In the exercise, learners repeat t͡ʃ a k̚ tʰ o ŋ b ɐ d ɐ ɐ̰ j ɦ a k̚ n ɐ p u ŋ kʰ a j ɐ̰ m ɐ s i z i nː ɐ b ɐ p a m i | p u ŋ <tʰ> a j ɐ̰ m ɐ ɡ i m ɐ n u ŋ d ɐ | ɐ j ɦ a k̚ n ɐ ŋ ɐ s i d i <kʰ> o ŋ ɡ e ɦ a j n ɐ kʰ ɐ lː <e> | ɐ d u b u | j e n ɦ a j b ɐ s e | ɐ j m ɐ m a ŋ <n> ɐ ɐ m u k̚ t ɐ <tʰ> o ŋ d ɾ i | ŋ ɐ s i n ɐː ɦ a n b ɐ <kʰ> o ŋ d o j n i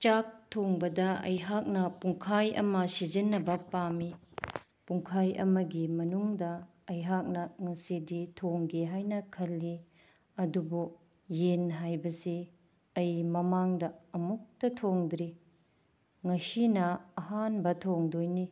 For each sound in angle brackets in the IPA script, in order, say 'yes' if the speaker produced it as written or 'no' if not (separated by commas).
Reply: no, no, no, no, yes, no